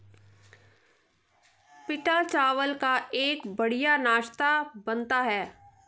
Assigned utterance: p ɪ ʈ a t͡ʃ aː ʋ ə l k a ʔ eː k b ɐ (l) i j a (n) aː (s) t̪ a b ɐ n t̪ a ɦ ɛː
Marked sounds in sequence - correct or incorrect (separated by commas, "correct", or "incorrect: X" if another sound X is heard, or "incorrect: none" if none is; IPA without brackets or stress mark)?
incorrect: ɽ, correct, incorrect: ʃ